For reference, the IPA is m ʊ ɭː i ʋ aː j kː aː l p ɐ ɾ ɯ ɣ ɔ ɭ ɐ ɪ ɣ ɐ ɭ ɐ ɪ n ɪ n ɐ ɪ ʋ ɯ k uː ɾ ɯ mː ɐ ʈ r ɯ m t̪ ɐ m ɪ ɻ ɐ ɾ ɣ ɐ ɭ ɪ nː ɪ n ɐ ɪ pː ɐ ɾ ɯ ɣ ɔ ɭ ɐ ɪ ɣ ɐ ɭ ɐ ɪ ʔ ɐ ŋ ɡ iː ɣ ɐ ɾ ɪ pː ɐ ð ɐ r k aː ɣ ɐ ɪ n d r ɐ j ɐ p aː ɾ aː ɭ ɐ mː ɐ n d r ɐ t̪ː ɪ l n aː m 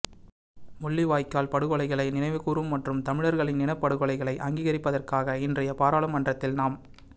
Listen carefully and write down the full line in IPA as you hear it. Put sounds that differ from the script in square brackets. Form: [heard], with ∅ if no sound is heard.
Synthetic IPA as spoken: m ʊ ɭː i ʋ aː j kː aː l p ɐ [ɽ] ɯ ɣ ɔ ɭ ɐ ɪ ɣ ɐ ɭ ɐ ɪ n ɪ n ɐ ɪ ʋ ɯ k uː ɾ ɯ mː ɐ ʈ r ɯ m t̪ ɐ m ɪ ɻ ɐ ɾ ɣ ɐ ɭ ɪ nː ɪ n ɐ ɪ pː ɐ [ɽ] ɯ ɣ ɔ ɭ ɐ ɪ ɣ ɐ ɭ ɐ ɪ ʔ ɐ ŋ ɡ iː ɣ ɐ ɾ ɪ pː ɐ ð ɐ r k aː ɣ ɐ ɪ n d r ɐ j ɐ p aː ɾ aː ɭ ɐ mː ɐ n d r ɐ t̪ː ɪ l n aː m